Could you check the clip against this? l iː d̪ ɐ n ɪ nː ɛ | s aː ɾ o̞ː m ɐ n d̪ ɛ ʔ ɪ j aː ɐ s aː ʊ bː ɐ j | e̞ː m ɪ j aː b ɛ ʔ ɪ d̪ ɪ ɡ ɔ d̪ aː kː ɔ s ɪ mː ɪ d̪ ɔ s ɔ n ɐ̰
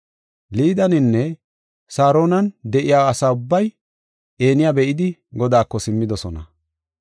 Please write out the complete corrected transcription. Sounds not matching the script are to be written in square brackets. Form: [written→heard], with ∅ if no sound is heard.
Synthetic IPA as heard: l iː d̪ ɐ n ɪ nː ɛ | s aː ɾ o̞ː [m→n] ɐ n d̪ ɛ ʔ ɪ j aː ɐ s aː ʊ bː ɐ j | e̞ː [m→n] ɪ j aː b ɛ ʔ ɪ d̪ ɪ ɡ ɔ d̪ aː kː ɔ s ɪ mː ɪ d̪ ɔ s ɔ n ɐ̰